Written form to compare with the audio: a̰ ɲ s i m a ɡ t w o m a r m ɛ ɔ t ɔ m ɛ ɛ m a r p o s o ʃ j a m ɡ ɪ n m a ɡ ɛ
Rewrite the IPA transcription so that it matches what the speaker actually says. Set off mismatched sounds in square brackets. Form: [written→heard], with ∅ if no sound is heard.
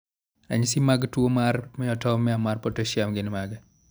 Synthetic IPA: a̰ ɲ s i m a ɡ t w o m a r m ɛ ɔ t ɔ m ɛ [ɛ→a] m a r p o [s→t] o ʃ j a m ɡ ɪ n m a ɡ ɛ